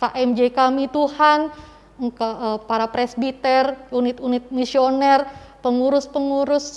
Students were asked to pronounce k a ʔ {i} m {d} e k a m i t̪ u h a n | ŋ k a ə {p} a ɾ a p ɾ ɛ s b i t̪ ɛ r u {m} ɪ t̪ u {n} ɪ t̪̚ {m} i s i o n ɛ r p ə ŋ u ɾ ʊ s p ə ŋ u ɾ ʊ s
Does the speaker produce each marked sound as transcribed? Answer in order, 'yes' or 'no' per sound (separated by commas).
no, no, yes, no, yes, yes